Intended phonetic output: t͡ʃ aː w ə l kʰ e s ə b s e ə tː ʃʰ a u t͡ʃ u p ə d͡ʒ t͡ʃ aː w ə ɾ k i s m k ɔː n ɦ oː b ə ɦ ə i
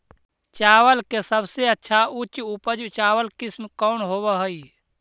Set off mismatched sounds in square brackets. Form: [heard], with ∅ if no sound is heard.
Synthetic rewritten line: t͡ʃ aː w ə l [k] e s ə b s e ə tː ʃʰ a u t͡ʃ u p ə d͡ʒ t͡ʃ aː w ə [l] k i s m k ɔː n ɦ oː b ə ɦ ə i